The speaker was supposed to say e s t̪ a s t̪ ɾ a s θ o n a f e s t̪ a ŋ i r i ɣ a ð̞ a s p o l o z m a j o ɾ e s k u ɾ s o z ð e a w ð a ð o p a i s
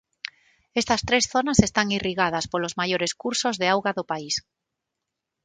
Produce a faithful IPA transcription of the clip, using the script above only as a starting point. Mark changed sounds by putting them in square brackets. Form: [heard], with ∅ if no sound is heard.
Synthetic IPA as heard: e s t̪ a s t̪ ɾ [e] s θ o n a [s] e s t̪ a ŋ i r i ɣ a ð̞ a s p o l o z m a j o ɾ e s k u ɾ s o z ð e a w [ɣ] a ð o p a i s

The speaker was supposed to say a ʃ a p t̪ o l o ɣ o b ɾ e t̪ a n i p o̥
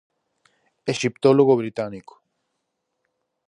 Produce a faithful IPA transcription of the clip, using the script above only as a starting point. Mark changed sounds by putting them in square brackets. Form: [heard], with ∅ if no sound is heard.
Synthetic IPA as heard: [e] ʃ [i] p t̪ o l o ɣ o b ɾ [i] t̪ a n i [k] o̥

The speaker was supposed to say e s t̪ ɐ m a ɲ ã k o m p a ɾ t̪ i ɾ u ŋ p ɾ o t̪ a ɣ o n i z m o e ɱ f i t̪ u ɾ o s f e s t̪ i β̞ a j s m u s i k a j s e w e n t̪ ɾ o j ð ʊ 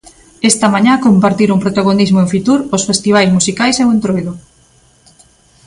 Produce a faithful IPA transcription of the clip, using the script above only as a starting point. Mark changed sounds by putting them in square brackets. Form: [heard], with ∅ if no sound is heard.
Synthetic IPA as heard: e s t̪ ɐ m a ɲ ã k o m p a ɾ t̪ i ɾ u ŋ p ɾ o t̪ a ɣ o n i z m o e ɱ f i t̪ u ɾ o s f e s t̪ i β̞ a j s m u s i k a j s e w e n t̪ ɾ o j ð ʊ

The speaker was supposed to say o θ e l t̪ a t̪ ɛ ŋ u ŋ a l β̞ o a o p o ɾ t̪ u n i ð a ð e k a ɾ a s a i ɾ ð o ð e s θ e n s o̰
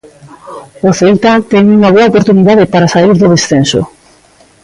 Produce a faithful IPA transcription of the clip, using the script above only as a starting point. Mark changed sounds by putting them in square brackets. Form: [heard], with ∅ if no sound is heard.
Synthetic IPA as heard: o θ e l t̪ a t̪ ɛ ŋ u ŋ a [∅] β̞ o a o p o ɾ t̪ u n i ð a ð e [p] a ɾ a s a i ɾ ð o ð e s θ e n s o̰

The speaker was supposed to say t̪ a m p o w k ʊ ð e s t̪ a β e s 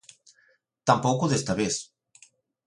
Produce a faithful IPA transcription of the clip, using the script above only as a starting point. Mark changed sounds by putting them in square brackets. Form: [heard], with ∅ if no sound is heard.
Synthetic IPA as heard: t̪ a m p o w k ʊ ð e s t̪ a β e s

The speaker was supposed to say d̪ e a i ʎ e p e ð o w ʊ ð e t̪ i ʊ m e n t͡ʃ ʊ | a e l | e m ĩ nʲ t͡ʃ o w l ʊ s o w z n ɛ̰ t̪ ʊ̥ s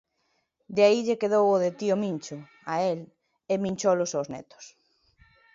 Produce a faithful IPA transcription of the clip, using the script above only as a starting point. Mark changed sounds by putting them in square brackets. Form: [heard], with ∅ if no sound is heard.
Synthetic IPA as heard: d̪ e a i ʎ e [k] e ð o w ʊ ð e t̪ i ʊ m [i] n t͡ʃ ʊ | a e l | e m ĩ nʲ t͡ʃ o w l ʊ s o w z n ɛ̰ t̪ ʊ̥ s

